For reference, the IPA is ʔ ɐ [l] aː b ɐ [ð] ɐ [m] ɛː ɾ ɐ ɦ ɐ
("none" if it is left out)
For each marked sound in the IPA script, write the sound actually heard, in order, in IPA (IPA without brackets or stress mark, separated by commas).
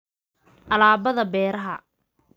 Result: l, ð, b